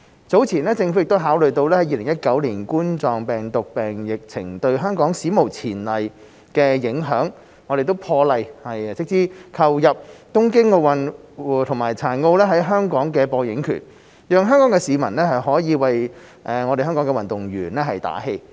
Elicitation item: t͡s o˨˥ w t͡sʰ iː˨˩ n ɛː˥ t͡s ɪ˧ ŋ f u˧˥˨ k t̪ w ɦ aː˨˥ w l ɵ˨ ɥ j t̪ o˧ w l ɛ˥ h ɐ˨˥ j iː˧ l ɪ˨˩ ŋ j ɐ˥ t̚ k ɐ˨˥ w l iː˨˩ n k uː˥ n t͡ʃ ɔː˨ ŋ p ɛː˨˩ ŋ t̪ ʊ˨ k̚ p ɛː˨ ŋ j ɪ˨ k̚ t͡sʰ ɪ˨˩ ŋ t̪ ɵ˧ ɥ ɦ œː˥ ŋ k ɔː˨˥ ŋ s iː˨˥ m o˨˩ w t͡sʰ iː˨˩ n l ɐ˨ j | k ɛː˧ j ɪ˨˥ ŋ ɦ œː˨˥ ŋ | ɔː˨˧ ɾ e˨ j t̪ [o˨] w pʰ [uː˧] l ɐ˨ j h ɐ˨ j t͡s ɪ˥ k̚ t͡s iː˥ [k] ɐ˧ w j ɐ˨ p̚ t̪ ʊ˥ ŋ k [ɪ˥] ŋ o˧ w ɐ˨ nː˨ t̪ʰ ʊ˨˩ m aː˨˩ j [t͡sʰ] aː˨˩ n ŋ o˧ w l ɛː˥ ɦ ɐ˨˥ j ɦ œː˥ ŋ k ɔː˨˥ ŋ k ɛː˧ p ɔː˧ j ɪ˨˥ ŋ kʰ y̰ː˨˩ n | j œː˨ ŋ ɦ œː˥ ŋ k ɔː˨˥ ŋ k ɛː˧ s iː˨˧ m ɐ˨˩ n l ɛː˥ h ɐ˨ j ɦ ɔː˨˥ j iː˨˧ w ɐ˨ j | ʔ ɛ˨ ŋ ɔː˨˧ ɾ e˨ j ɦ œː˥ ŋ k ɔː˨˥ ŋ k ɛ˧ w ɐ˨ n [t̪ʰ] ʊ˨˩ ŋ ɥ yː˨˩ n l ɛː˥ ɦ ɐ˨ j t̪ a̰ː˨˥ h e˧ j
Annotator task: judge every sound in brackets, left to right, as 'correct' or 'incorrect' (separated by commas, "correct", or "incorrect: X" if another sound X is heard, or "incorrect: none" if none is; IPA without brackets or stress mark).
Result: incorrect: o˥, incorrect: ɔː˧, incorrect: kʰ, correct, correct, incorrect: t̪